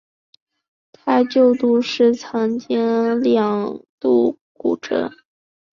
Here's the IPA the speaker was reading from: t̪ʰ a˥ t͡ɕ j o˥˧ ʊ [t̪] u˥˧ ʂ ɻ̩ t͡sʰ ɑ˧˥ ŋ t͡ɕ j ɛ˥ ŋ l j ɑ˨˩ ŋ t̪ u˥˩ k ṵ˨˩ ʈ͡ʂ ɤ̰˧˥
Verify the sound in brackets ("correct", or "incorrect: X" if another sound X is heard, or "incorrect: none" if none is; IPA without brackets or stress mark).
correct